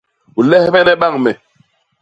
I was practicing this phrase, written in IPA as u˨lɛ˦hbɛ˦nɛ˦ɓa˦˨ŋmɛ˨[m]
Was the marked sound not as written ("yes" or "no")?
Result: yes